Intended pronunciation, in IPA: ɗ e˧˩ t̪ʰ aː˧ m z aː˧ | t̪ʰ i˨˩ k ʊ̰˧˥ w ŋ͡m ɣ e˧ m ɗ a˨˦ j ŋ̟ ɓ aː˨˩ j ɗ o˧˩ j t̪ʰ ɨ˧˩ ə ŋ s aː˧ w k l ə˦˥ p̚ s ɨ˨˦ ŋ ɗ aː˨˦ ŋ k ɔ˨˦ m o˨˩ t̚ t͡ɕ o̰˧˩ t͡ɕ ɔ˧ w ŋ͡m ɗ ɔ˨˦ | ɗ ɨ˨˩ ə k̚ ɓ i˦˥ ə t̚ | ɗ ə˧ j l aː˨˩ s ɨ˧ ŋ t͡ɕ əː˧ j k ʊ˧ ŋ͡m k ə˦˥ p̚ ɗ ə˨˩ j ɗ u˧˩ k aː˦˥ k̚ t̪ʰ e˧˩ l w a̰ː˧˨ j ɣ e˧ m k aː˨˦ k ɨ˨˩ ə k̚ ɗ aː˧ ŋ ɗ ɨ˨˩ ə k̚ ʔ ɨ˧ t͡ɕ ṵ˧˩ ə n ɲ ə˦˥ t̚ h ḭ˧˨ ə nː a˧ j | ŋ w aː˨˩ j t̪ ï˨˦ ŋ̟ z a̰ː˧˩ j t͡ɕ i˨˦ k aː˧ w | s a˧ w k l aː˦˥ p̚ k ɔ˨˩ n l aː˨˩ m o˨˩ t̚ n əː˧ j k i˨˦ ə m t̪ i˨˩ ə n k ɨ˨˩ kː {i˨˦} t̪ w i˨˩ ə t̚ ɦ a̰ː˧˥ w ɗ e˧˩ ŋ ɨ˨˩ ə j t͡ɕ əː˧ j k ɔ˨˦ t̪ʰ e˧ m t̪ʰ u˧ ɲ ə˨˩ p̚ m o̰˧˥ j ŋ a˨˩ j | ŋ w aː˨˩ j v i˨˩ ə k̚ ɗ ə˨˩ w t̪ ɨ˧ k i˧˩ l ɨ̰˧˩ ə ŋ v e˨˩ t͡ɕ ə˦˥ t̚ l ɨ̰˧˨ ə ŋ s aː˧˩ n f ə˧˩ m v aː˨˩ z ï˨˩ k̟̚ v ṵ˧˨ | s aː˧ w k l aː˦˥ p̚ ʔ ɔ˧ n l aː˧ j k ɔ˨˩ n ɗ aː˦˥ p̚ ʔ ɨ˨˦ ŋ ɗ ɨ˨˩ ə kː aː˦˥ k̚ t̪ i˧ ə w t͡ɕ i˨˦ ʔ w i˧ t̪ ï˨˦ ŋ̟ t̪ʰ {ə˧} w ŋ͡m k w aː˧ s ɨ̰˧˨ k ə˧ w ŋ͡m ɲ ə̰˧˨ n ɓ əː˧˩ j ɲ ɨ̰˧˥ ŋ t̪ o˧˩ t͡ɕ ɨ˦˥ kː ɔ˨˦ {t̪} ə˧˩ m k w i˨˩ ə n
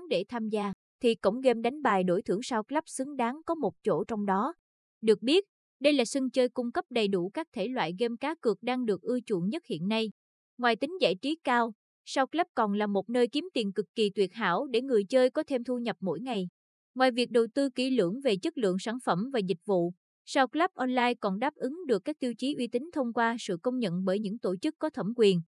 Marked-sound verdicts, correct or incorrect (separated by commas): incorrect, correct, incorrect